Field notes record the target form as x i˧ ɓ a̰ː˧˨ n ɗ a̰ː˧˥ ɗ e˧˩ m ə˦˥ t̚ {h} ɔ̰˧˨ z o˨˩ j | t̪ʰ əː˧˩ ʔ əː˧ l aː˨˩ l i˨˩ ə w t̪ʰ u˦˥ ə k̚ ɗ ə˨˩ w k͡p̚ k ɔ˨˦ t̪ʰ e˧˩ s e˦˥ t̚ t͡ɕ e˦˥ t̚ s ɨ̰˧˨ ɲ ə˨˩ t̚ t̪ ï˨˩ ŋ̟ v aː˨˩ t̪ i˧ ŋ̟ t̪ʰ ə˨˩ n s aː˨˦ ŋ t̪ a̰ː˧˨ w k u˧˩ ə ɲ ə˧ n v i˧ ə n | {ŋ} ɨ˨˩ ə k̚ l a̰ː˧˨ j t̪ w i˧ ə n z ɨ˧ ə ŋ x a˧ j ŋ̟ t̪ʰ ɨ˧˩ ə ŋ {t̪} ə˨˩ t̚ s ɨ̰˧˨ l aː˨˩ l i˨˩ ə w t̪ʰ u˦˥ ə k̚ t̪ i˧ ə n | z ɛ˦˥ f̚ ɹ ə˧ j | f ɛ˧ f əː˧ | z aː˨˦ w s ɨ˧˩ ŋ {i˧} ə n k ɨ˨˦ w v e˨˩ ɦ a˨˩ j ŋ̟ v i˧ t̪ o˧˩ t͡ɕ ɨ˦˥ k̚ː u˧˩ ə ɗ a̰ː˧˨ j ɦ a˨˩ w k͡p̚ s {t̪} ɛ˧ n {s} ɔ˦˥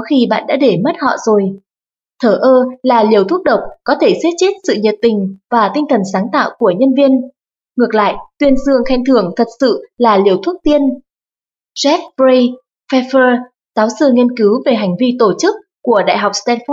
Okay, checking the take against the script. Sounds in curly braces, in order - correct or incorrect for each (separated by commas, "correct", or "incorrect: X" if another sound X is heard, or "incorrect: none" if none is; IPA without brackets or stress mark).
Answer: correct, correct, incorrect: t̪ʰ, correct, correct, incorrect: f